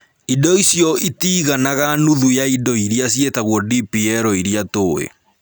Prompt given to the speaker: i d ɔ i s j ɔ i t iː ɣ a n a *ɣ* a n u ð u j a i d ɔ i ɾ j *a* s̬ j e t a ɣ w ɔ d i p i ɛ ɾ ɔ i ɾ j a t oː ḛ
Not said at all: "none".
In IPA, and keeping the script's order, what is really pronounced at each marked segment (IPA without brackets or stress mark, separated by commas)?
ɣ, a